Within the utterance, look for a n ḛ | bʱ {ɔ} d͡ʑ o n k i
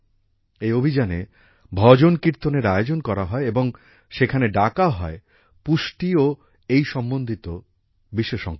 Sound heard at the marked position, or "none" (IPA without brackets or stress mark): ɔ